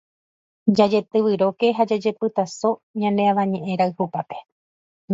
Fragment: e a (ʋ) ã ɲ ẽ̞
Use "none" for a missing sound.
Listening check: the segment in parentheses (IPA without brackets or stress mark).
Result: ʋ